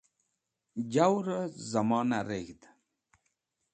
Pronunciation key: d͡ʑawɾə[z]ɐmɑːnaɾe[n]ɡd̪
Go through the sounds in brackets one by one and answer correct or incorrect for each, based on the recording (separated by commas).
correct, incorrect